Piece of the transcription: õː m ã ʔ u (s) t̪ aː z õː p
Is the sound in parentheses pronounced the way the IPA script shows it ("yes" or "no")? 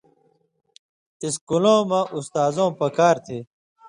yes